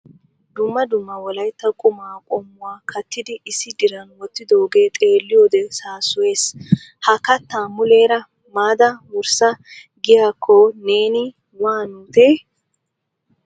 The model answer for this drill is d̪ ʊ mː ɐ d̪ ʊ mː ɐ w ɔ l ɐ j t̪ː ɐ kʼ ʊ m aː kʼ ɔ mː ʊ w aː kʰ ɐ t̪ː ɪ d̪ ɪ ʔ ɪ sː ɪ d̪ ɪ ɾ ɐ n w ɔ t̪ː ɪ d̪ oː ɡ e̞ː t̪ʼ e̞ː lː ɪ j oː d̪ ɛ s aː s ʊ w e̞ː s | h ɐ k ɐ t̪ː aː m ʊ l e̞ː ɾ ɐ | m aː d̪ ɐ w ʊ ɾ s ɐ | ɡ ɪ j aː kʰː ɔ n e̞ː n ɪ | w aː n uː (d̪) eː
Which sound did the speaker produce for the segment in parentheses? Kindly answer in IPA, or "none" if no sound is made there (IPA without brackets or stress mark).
t̪